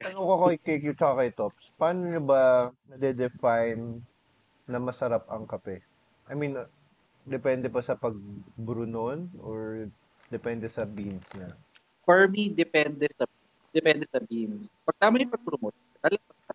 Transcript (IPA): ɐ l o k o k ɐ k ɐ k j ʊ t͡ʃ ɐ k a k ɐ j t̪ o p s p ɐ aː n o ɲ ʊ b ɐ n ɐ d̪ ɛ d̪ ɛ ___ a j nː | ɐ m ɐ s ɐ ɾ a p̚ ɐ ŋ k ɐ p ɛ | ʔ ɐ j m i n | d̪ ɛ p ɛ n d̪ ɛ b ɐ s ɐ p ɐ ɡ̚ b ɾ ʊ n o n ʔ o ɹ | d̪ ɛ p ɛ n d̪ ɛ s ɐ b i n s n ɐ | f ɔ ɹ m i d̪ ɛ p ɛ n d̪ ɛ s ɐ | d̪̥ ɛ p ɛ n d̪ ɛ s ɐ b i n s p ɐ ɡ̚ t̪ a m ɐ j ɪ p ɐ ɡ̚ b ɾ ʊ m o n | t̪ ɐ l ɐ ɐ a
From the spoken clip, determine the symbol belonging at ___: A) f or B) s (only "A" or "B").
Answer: A